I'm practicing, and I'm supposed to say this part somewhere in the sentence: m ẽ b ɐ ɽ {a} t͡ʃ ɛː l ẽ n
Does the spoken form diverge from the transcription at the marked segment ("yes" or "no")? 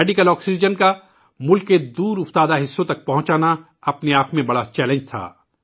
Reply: no